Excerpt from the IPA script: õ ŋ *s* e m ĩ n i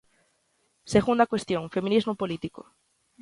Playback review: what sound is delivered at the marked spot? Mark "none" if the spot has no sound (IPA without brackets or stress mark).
f